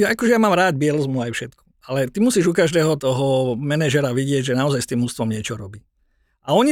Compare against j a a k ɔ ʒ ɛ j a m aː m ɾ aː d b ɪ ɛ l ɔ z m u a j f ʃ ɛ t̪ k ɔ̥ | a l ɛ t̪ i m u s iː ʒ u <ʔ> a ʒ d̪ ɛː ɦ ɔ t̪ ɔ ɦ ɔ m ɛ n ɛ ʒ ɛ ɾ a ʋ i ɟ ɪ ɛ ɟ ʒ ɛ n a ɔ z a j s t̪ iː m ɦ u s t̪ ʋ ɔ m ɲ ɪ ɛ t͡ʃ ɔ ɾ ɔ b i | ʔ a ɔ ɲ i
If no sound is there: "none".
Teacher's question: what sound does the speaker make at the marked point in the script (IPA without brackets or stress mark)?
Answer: k